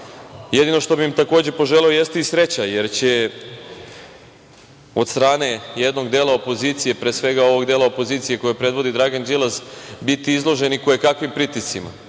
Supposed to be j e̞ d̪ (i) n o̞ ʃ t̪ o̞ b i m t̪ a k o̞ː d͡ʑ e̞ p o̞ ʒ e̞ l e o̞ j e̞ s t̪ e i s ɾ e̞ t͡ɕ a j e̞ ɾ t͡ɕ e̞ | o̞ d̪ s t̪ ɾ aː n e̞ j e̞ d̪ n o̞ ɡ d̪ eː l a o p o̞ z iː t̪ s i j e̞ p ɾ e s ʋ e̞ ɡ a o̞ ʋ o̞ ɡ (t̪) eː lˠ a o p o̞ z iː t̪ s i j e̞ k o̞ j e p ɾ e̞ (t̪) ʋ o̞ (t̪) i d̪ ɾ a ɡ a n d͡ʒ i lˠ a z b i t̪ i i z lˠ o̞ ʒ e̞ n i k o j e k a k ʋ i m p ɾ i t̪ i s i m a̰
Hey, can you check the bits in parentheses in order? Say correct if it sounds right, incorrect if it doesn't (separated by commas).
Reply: correct, incorrect, incorrect, incorrect